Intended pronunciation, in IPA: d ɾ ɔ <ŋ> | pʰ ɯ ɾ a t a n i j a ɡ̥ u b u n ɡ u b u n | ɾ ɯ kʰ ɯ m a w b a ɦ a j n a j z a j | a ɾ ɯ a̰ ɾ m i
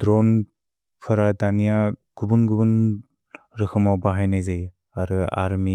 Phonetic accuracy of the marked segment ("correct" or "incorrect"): incorrect